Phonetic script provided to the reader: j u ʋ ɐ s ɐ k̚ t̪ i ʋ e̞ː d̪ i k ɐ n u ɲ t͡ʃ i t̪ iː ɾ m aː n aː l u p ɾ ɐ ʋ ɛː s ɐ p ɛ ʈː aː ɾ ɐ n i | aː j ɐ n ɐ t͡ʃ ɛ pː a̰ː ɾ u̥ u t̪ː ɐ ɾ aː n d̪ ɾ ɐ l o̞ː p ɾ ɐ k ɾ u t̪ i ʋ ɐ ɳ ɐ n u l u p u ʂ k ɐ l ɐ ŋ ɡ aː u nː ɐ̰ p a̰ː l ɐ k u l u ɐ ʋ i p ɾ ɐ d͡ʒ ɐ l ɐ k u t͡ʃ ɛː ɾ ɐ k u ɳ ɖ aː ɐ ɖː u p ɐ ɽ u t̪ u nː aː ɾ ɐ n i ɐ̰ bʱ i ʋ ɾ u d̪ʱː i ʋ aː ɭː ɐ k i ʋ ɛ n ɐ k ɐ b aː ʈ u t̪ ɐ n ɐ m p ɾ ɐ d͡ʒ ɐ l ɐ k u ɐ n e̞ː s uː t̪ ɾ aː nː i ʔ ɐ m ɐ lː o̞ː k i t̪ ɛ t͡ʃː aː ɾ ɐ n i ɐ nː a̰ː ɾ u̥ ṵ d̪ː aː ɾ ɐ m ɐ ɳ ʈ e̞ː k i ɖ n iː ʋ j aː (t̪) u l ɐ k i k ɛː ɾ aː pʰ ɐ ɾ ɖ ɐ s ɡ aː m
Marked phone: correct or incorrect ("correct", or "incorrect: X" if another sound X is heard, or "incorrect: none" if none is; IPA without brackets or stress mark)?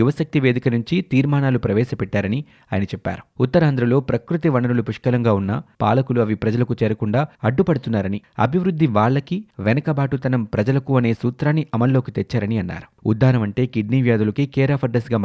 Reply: incorrect: d̪